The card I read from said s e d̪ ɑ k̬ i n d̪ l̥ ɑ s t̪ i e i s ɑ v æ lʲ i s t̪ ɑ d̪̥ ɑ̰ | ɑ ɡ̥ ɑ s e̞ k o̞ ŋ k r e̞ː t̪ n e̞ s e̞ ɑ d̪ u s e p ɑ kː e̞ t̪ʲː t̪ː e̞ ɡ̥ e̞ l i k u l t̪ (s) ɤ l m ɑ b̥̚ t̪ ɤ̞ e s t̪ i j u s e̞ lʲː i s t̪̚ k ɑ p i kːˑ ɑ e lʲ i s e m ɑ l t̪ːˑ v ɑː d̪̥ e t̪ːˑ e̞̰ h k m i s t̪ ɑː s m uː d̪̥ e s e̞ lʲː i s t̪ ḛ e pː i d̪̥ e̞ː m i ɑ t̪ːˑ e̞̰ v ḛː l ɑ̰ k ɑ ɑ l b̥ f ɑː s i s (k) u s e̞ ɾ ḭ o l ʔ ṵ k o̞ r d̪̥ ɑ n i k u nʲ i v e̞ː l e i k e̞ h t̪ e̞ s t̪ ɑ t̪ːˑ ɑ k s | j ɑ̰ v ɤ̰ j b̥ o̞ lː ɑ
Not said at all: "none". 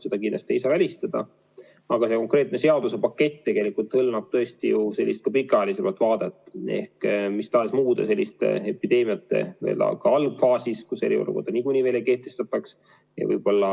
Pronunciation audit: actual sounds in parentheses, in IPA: h, k

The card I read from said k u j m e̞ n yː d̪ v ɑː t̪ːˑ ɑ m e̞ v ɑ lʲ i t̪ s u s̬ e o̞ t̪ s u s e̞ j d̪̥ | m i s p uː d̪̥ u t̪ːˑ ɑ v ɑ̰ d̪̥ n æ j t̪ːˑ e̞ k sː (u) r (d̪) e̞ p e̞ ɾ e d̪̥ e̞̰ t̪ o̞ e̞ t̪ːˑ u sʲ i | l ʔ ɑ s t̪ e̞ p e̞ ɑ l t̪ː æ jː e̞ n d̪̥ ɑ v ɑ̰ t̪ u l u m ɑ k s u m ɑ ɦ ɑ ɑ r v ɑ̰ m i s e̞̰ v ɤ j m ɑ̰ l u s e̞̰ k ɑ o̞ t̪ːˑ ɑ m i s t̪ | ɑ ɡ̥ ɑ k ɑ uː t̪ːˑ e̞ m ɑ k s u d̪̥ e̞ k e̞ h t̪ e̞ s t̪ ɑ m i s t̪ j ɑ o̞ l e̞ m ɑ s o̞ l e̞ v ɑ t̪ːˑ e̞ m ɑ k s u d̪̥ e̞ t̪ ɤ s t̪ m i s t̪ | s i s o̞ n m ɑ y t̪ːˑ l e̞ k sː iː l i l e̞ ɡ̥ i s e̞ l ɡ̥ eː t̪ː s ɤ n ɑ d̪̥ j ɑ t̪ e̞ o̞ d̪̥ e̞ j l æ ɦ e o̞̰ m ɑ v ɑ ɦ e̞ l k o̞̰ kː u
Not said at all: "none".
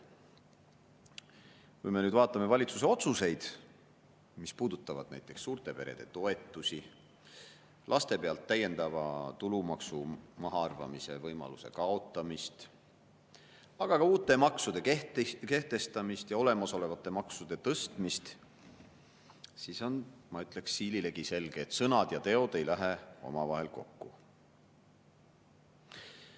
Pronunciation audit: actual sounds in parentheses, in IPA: uː, t̪

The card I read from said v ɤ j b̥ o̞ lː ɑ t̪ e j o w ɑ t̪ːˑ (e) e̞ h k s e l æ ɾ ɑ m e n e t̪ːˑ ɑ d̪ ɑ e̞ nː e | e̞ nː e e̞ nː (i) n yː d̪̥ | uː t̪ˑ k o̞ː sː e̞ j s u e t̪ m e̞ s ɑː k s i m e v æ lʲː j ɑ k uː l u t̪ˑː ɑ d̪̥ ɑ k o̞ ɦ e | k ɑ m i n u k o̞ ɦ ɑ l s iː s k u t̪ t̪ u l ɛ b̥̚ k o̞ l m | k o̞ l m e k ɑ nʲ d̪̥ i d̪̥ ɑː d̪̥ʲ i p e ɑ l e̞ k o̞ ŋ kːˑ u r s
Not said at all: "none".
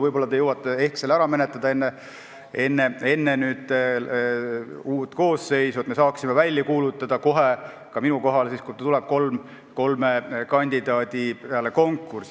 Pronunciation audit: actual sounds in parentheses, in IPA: e, e

